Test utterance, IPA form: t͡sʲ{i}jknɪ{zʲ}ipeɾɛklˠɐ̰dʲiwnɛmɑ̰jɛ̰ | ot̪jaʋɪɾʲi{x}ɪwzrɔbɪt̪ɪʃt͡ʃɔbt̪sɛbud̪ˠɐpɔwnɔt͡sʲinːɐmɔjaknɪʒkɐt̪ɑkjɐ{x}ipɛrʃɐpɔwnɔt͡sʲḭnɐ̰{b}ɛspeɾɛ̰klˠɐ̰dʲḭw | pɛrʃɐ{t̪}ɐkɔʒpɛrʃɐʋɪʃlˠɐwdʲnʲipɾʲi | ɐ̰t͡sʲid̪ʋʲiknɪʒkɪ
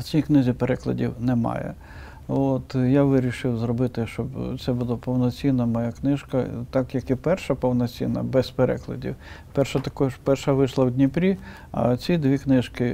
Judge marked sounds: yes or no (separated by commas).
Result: yes, yes, no, no, yes, yes